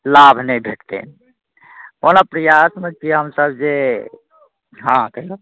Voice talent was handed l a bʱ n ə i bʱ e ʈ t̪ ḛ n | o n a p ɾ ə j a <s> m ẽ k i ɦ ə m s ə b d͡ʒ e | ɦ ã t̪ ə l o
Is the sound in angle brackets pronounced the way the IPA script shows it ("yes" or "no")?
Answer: yes